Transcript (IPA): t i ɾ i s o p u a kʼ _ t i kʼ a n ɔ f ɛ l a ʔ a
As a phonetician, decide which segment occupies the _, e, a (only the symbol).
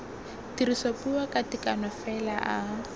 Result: a